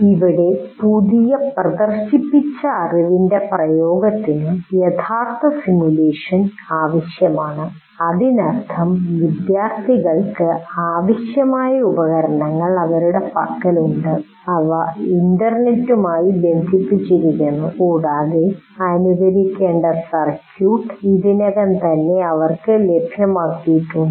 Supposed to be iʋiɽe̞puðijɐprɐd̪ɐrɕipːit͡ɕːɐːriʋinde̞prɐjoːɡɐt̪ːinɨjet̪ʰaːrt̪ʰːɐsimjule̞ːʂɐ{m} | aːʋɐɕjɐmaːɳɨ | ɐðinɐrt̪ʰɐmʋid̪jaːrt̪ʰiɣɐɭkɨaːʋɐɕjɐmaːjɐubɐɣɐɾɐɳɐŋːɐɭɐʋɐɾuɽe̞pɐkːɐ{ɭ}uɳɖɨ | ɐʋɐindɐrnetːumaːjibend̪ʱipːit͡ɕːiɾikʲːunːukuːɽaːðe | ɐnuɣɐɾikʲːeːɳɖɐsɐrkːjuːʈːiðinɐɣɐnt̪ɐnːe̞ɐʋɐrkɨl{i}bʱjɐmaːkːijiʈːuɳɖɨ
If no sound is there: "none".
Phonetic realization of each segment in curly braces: n, l, e

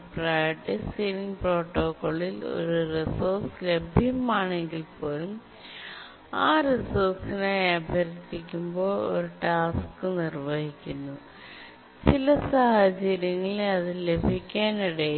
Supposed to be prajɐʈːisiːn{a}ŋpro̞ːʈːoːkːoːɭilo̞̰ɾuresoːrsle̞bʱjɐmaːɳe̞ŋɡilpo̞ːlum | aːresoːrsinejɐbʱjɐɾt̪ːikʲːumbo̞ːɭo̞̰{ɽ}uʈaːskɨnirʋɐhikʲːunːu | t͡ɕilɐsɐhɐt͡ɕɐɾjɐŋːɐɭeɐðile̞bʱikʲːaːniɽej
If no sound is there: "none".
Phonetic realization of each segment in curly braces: i, ɾ

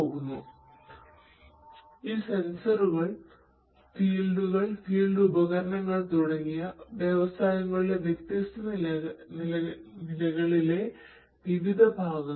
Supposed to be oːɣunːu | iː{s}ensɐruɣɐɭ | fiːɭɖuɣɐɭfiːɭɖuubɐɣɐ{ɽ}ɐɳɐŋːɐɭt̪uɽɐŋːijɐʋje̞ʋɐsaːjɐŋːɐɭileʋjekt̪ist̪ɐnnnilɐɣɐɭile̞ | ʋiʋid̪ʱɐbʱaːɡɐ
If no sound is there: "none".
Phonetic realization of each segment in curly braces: s, ɾ

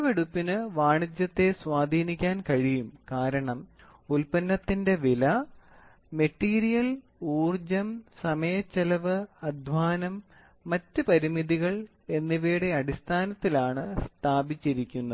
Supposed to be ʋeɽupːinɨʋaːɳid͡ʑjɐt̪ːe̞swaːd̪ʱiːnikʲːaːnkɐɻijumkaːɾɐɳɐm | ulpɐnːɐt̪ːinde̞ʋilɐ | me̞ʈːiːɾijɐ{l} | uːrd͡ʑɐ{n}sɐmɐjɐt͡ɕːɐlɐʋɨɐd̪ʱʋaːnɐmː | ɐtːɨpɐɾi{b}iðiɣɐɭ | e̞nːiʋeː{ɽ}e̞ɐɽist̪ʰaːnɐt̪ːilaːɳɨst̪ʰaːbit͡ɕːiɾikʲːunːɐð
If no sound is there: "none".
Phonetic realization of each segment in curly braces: l, m, m, ɽ

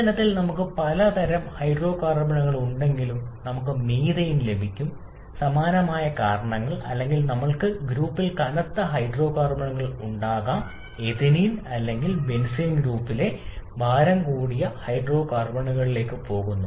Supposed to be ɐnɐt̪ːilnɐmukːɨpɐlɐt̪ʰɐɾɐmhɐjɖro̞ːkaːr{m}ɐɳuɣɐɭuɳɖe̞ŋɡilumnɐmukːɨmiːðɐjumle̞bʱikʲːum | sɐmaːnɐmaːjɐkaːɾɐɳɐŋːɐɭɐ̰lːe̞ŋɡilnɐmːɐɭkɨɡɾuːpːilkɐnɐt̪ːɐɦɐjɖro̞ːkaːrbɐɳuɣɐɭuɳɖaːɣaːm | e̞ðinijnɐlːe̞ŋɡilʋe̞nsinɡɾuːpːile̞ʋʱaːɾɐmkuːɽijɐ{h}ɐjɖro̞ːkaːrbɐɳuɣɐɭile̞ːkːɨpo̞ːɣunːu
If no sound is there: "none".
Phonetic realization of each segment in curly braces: b, h

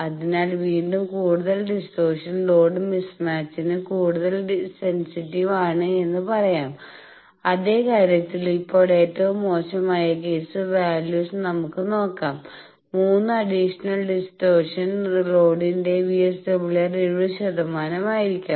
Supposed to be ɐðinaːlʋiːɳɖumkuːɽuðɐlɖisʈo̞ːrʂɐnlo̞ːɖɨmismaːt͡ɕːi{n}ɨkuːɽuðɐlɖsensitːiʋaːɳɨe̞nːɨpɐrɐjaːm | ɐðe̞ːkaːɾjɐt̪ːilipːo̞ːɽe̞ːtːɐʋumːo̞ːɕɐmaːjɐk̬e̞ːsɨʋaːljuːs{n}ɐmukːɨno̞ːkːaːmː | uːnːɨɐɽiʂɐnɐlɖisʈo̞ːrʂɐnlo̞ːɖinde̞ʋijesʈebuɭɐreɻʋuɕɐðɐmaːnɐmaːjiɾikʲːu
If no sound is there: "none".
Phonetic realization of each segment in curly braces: n, n

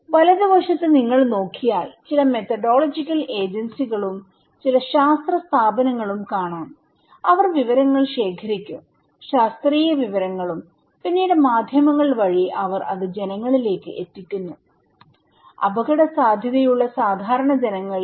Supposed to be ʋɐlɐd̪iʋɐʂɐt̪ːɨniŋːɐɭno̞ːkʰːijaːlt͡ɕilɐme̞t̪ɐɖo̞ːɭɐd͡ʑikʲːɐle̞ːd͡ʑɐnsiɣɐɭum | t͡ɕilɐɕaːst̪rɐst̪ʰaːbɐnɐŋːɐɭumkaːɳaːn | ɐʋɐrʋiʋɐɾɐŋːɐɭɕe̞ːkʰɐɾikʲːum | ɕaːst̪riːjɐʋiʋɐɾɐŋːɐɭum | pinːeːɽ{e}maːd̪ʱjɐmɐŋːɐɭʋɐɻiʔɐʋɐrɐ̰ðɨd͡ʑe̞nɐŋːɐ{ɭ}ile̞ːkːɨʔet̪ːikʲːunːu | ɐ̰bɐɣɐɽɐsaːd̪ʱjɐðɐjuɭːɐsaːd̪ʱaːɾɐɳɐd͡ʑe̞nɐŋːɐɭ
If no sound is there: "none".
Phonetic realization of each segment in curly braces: e, ɭ

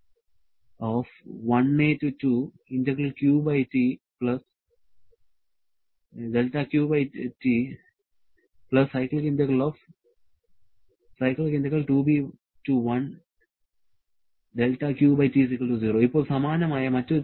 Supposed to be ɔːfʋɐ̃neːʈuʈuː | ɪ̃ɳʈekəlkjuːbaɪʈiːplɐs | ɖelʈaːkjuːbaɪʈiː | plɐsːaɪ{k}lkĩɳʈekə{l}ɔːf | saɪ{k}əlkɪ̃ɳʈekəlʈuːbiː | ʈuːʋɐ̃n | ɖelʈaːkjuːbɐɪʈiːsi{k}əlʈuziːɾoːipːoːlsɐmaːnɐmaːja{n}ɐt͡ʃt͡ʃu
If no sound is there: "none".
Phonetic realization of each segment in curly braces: k, l, k, k, m

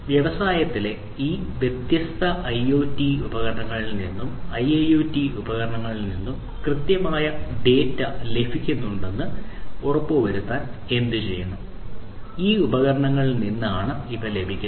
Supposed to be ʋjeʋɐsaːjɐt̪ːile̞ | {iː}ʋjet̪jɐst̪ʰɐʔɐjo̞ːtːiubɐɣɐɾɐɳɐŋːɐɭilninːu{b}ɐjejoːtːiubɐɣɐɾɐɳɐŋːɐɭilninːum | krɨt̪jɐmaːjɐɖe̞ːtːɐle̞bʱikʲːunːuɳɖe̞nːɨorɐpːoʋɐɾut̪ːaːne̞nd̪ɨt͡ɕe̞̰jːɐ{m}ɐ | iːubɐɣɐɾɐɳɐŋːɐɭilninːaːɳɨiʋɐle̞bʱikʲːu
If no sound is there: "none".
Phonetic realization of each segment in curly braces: iː, m, ɳ

